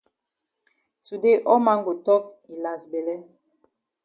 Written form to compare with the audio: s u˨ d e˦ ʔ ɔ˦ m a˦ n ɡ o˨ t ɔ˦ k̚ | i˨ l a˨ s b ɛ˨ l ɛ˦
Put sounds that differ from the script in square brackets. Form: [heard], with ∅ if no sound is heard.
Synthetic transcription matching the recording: s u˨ d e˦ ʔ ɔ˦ m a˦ [ŋ] ɡ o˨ t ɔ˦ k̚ | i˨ l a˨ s b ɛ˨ l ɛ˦